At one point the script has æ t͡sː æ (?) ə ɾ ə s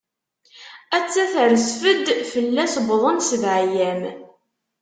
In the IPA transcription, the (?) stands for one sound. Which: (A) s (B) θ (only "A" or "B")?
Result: B